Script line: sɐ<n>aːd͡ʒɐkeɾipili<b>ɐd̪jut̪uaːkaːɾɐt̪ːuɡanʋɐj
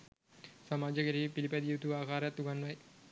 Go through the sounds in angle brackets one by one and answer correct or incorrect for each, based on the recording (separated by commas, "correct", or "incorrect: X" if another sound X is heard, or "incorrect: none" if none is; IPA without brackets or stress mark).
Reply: incorrect: m, incorrect: p